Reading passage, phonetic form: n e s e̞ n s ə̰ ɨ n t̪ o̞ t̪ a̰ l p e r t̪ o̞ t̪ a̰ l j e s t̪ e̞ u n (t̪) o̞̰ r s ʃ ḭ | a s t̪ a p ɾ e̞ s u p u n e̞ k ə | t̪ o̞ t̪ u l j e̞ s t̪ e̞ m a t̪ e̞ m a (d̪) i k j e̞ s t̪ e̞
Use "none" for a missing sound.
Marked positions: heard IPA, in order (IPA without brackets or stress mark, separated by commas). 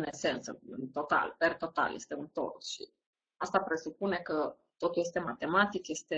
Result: t̪, t̪